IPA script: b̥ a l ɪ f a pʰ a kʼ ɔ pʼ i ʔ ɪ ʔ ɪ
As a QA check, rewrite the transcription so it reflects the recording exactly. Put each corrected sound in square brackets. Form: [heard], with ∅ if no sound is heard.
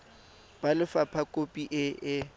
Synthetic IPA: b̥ a l ɪ f a pʰ a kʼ [o] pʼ i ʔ ɪ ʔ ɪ

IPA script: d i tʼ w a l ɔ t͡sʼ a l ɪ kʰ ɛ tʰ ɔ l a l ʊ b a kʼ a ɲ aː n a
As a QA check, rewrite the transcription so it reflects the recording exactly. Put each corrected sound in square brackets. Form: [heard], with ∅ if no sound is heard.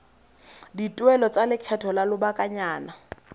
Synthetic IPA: d i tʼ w [ɛ] l ɔ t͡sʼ a l ɪ kʰ ɛ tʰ ɔ l a l ʊ b a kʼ a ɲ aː n a

